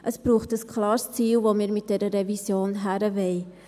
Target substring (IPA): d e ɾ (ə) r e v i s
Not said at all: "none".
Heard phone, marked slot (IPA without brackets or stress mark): ə